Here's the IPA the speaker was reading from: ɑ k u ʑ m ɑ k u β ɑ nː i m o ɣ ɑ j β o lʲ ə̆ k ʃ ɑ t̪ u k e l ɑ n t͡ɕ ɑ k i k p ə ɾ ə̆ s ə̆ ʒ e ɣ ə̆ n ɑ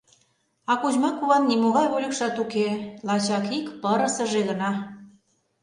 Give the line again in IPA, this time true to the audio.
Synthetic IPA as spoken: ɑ k u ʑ m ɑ k u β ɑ nː i m o ɣ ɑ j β o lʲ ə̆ k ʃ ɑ t̪ u k e l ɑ t͡ɕ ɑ k i k p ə ɾ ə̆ s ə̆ ʒ e ɣ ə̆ n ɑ